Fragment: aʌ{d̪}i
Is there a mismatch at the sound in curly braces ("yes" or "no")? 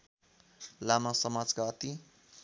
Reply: yes